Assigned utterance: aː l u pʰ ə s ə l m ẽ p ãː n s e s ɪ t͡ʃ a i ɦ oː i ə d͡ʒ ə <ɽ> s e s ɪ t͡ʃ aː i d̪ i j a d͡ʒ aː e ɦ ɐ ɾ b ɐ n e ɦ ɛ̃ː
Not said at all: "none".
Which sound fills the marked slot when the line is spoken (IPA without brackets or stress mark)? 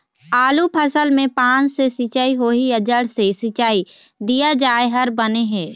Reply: ɽ